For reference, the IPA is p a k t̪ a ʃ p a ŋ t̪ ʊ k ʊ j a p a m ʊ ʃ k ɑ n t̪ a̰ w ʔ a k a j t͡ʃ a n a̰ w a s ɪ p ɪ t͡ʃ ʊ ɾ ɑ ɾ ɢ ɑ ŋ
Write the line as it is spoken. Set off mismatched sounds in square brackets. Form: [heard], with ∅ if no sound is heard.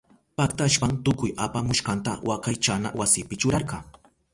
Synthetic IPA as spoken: p a k t̪ a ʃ p a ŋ t̪ ʊ k ʊ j a p a m ʊ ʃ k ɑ n t̪ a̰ w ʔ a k a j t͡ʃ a n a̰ w a s ɪ p ɪ t͡ʃ ʊ ɾ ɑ ɾ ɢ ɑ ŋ